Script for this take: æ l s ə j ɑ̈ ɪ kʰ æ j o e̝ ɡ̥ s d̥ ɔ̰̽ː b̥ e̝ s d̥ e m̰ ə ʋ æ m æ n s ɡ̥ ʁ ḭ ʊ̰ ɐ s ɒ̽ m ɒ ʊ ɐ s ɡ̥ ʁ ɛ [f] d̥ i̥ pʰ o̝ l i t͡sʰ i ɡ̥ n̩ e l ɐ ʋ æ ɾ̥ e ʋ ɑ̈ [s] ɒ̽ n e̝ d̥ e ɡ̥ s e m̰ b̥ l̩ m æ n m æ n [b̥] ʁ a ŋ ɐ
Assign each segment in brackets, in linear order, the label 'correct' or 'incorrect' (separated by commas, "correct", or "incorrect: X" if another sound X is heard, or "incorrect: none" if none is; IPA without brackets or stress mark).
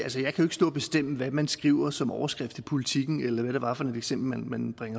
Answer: correct, incorrect: f, correct